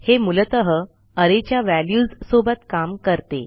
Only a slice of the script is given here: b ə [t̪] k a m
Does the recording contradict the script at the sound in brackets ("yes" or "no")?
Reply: no